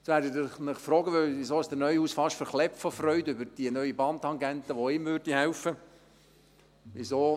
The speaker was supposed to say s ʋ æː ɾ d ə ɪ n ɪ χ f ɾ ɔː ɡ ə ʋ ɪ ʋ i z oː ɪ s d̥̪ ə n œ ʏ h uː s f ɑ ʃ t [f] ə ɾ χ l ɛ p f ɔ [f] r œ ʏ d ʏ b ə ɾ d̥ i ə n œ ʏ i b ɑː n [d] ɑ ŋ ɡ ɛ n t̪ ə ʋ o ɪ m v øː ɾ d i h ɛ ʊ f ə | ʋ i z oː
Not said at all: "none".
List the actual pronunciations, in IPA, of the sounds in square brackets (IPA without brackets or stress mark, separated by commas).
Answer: f, f, t